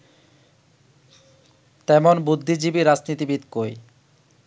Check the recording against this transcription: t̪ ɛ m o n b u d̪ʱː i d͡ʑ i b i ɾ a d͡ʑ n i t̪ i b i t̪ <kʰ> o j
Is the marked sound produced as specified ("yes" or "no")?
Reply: no